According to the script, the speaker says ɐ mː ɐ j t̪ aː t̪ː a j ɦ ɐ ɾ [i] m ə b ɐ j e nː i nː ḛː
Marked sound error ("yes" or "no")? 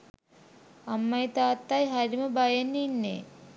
no